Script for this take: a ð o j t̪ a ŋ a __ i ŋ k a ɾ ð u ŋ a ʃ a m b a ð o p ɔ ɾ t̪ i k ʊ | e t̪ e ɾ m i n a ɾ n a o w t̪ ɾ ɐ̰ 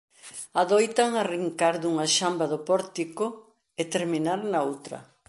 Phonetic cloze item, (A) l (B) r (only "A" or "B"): B